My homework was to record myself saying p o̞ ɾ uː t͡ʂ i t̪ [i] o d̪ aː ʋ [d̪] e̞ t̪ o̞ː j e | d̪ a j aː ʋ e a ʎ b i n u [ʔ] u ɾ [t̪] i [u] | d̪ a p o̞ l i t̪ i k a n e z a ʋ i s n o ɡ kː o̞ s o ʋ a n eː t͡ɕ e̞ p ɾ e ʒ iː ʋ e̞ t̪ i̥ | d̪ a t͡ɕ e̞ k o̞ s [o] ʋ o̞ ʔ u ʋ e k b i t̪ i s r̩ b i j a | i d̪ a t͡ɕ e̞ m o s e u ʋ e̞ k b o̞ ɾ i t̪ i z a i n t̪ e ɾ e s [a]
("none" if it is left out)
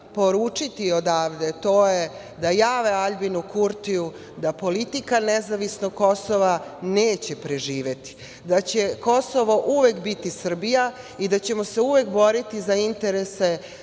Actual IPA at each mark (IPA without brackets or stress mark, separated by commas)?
i, d̪, k, t̪, u, o, e